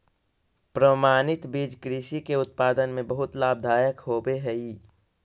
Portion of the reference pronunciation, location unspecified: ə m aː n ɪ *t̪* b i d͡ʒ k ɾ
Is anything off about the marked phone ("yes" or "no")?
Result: no